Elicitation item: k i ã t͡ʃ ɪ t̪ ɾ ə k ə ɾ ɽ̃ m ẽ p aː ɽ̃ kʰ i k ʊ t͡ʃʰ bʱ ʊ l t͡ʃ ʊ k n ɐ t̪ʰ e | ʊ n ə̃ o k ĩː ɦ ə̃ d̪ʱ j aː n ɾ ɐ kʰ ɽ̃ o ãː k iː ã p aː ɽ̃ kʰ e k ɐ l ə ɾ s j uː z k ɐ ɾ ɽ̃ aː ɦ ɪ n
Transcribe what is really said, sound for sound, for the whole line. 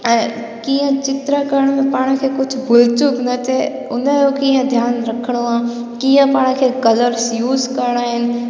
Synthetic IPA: k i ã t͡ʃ ɪ t̪ ɾ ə k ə ɾ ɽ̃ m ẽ p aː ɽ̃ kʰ e k ʊ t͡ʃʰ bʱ ʊ l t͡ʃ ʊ k n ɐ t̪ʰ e | ʊ n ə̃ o k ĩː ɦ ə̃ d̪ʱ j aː n ɾ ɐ kʰ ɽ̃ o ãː k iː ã p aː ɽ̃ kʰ e k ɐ l ə ɾ s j uː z k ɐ ɾ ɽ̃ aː ɦ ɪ n